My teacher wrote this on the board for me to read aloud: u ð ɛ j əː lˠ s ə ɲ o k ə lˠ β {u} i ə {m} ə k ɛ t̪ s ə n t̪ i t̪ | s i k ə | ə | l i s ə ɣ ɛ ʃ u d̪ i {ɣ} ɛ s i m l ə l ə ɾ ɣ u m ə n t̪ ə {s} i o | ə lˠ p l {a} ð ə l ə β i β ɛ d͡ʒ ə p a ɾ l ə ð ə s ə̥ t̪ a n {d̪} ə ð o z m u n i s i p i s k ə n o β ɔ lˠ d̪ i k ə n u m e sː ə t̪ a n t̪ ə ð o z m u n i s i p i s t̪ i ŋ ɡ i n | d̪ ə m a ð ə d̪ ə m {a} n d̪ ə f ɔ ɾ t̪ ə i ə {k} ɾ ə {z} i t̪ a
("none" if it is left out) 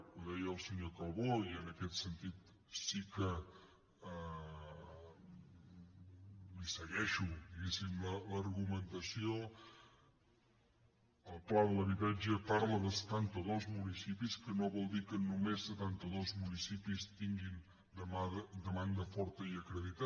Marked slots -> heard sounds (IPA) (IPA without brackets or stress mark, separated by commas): o, n, ɣ, s, a, t̪, a, k, ð